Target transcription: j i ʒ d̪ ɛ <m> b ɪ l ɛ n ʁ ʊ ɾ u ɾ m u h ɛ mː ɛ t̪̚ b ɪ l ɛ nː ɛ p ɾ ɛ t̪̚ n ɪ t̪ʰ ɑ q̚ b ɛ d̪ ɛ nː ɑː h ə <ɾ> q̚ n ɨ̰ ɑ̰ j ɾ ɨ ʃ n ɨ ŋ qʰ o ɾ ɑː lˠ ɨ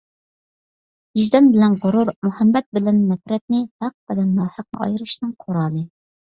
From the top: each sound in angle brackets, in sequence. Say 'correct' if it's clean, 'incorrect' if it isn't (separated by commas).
incorrect, incorrect